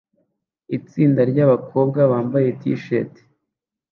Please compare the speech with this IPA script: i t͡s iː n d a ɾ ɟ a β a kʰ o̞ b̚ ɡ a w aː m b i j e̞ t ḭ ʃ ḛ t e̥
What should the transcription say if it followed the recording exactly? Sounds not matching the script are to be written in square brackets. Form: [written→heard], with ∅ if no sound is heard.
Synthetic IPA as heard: i t͡s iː n d a ɾ ɟ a β a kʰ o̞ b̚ ɡ a [w→β] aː m b [i→a] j e̞ t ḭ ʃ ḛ t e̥